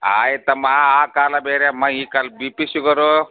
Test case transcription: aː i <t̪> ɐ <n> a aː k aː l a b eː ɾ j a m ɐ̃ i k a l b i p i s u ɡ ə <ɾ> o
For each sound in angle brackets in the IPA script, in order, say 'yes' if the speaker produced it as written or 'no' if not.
yes, no, yes

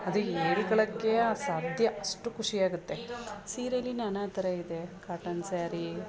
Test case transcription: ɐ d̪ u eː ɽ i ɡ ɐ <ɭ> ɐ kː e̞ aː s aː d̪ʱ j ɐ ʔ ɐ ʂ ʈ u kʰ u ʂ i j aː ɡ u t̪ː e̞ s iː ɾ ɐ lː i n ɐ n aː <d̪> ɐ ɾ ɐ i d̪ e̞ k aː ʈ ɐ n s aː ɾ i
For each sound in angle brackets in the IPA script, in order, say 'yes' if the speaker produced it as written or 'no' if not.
yes, no

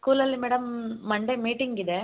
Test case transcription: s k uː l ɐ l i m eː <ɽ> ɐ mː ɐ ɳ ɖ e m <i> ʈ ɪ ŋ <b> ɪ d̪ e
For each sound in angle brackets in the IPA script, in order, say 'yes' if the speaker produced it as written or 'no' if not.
yes, no, no

